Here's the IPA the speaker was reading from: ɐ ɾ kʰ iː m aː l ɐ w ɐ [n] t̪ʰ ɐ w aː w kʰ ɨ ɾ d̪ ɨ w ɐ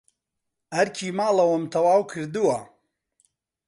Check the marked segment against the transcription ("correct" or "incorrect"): incorrect